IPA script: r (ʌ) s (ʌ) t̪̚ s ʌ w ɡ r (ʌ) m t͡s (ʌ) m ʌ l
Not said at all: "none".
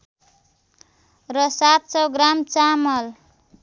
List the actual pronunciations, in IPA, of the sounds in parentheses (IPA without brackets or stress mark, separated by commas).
ʌ, a, a, a